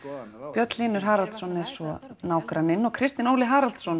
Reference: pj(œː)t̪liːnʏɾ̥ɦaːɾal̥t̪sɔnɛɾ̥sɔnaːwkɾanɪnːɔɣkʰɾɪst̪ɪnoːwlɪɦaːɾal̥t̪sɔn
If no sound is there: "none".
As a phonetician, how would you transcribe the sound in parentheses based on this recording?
œ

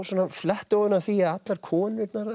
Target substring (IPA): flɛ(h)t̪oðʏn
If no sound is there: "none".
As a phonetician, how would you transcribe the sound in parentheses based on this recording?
h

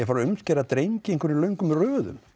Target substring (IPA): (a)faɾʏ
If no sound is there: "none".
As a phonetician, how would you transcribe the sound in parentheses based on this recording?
ɛ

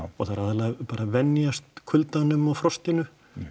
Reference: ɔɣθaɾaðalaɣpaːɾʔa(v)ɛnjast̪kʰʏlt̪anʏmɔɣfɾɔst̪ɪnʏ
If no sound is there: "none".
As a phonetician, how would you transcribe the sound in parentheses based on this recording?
v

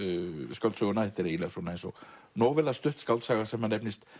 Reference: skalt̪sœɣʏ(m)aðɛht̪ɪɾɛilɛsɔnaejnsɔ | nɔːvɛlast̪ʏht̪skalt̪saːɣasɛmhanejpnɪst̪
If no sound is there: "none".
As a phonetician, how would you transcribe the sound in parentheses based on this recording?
n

